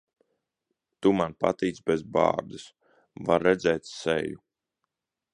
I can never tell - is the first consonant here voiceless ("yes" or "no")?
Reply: yes